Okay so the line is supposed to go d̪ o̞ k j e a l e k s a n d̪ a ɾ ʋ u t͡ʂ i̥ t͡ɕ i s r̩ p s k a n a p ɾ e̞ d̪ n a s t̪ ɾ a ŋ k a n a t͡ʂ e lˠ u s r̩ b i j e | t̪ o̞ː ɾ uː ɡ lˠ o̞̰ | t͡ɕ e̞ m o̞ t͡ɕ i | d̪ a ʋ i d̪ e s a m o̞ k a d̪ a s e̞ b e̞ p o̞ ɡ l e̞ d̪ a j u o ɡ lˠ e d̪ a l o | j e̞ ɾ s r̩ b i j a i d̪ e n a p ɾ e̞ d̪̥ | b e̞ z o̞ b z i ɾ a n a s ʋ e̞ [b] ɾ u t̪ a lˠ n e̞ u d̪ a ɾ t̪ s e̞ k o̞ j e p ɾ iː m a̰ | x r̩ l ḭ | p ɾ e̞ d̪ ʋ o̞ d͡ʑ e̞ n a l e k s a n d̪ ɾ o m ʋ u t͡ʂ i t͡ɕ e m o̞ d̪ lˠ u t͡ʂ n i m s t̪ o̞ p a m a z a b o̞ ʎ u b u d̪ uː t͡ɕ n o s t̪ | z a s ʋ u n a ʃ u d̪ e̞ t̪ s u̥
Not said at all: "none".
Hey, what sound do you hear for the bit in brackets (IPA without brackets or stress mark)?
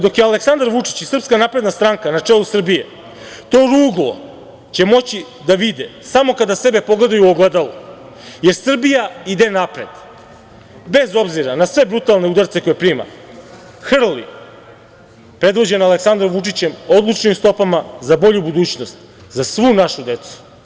b